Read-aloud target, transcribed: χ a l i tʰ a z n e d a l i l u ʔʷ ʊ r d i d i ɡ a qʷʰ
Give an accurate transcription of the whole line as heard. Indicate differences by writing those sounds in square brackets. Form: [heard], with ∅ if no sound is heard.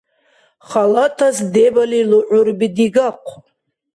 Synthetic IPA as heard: χ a l [a] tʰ a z [d] e [b] a l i l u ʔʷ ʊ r [b] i d i ɡ a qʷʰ